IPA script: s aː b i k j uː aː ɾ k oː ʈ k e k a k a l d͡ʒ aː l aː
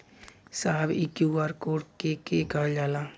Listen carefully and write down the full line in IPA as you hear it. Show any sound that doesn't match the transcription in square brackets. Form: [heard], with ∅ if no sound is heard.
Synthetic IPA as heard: s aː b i k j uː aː ɾ k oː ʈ k e k [e] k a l d͡ʒ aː l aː